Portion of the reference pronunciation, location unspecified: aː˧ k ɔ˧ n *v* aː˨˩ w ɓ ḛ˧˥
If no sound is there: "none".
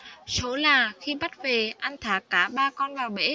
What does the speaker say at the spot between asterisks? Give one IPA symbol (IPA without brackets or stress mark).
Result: v